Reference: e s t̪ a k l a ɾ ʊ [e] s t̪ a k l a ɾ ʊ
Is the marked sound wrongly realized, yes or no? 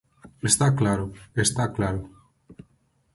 no